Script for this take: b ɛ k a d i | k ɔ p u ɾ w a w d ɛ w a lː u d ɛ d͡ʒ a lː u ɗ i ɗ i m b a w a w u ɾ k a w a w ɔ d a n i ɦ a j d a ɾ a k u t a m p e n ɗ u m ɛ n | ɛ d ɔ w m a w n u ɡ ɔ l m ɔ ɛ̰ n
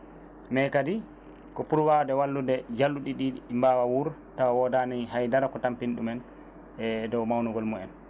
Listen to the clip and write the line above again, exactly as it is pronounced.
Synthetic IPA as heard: m ɛ k a d i | k ɔ p u ɾ w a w d ɛ w a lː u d ɛ d͡ʒ a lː u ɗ i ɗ i m b a w a w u ɾ t a w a w ɔ d a n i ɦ a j d a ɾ a k ɔ t a m p i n ɗ u m ɛ n | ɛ d ɔ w m a w n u ɡ ɔ l m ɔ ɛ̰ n